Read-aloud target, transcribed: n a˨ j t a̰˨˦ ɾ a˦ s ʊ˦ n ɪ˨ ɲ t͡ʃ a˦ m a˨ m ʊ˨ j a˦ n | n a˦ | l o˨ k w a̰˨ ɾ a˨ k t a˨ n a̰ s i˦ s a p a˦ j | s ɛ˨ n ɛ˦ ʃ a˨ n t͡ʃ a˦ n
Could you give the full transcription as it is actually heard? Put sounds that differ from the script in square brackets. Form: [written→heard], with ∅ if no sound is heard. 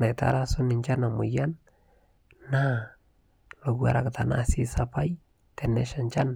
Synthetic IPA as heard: n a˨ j t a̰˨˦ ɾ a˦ s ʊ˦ n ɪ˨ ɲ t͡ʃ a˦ [m→n] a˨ m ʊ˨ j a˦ n | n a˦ | l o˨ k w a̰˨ ɾ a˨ k t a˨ n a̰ s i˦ s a p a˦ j | [s→t] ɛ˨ n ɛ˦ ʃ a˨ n t͡ʃ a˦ n

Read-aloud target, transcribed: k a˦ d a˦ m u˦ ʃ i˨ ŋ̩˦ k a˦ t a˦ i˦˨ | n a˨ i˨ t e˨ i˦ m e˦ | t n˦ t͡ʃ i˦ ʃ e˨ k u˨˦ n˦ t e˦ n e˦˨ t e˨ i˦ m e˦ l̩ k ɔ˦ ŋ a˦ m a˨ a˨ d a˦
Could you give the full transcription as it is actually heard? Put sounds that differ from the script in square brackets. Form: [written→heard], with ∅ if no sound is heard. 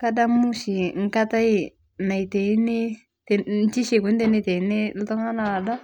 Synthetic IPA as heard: k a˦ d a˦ m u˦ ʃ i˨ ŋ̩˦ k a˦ t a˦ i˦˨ | n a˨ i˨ t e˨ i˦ [m→n] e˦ | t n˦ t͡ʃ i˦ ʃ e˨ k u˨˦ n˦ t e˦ n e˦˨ t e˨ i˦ [m→n] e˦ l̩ [k→t] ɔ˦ ŋ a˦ [m→n] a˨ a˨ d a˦

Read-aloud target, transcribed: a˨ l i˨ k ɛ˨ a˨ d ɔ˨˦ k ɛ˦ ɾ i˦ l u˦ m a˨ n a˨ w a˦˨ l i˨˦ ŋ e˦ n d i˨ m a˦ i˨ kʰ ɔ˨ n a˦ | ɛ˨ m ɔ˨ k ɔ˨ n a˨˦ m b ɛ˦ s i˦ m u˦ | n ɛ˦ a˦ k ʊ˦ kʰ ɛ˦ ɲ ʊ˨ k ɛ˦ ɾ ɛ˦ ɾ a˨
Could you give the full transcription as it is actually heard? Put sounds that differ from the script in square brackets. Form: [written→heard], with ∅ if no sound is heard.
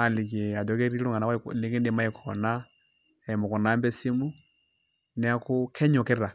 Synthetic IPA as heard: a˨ l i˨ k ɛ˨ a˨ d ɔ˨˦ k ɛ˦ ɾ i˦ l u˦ [m→ŋ] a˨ n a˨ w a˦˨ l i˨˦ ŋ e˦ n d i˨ m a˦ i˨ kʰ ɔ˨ n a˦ | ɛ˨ m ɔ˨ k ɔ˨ n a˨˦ m b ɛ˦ s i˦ m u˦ | n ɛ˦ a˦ k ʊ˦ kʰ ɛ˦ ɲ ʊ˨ k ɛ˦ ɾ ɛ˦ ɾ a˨

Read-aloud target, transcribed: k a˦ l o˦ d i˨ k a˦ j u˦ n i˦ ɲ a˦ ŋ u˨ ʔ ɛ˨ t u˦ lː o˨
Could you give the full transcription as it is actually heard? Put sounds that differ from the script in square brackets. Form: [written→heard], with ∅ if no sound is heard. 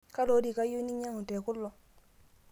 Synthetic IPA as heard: k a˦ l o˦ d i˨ k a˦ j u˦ n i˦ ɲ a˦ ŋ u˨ [ʔ→t] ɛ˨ [t→k] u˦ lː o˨

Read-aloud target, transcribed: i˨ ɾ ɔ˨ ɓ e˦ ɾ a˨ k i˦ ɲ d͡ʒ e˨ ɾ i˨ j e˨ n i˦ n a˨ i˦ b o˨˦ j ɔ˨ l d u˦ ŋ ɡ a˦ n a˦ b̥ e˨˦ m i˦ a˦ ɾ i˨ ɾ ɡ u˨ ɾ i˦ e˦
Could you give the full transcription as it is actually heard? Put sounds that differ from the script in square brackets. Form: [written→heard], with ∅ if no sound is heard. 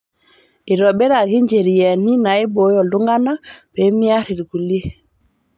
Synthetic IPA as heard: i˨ ɾ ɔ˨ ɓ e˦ ɾ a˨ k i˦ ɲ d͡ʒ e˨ ɾ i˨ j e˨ n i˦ n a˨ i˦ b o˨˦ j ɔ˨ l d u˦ ŋ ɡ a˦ n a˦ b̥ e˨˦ m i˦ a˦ ɾ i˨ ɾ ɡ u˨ [ɾ→l] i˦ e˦

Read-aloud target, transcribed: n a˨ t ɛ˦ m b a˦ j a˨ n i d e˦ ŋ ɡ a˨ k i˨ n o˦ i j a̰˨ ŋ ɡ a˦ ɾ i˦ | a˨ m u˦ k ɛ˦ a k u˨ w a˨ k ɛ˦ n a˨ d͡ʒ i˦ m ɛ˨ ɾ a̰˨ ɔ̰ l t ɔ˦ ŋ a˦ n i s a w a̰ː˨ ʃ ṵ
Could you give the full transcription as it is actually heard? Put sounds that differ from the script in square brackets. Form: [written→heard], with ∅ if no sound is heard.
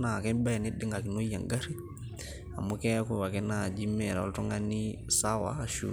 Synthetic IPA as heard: n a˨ [t→k] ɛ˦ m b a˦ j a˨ n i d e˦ ŋ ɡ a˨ k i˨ n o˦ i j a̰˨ ŋ ɡ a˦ ɾ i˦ | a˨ m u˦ k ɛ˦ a k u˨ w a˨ k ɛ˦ n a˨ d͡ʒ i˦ m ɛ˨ ɾ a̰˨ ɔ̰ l t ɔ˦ ŋ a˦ n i s a w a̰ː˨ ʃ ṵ

